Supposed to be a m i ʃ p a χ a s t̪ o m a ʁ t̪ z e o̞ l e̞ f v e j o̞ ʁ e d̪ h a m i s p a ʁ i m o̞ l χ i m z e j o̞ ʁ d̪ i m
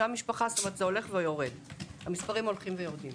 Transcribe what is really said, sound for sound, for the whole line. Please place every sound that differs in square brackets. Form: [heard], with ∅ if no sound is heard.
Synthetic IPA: a m i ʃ p a χ a s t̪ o m [e] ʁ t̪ z e o̞ l e̞ [χ] v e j o̞ ʁ e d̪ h a m i s p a ʁ i m o̞ l χ i m [v] e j o̞ ʁ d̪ i m